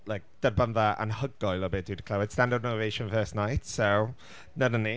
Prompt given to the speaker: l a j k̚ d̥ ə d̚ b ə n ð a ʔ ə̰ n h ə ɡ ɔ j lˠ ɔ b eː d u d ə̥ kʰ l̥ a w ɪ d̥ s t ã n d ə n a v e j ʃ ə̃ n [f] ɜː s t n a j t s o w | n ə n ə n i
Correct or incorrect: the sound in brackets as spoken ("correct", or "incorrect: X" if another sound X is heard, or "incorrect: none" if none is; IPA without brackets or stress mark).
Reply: correct